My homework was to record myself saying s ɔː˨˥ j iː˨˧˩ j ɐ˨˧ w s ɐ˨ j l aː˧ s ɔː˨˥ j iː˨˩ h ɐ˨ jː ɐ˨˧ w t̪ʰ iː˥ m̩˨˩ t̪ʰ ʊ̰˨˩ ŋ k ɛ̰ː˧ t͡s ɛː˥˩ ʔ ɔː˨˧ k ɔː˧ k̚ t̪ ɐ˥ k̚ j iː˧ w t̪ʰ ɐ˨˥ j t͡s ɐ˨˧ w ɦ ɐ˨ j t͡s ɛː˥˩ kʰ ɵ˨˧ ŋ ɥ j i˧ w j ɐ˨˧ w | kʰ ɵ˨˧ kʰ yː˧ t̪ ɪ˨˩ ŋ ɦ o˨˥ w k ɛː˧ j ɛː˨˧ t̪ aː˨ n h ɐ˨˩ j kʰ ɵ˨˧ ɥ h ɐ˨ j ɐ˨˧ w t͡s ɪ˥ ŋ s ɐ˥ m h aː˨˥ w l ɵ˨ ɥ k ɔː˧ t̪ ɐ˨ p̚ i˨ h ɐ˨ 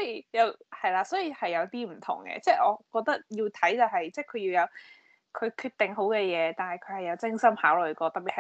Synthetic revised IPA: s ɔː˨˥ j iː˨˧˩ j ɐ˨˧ w h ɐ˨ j l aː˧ s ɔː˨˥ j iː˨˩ h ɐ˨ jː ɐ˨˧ w t̪ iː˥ m̩˨˩ t̪ʰ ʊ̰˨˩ ŋ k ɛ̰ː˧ t͡s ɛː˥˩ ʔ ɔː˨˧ k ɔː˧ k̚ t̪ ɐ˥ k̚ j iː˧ w t̪ʰ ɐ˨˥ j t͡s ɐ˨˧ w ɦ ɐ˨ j t͡s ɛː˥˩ kʰ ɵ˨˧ ɥ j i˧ w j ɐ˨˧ w | kʰ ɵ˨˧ kʰ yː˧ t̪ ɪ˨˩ ŋ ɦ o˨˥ w k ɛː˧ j ɛː˨˧ t̪ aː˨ n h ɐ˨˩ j kʰ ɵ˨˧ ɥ h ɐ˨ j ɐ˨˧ w t͡s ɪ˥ ŋ s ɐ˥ m h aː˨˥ w l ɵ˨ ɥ k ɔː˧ t̪ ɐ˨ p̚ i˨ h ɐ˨